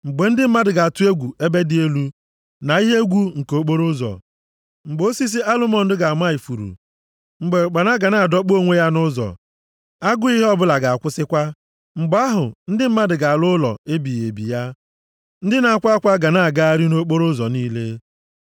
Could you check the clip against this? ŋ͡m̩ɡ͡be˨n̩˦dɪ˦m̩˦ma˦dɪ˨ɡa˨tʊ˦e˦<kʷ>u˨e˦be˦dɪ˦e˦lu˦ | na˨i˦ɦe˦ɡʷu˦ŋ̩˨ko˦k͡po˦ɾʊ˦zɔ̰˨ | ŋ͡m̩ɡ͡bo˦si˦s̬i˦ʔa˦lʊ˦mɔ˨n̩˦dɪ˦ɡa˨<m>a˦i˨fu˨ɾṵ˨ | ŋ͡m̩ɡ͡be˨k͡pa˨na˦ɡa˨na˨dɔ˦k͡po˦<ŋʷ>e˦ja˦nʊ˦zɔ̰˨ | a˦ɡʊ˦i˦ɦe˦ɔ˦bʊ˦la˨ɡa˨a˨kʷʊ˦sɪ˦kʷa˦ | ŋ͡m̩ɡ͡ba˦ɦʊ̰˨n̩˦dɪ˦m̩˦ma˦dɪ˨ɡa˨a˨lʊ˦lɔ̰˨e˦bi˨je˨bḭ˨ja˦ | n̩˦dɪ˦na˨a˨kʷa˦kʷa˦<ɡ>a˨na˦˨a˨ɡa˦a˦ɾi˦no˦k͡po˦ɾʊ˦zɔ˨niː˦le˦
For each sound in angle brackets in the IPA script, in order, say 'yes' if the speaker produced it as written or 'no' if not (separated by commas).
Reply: no, yes, yes, yes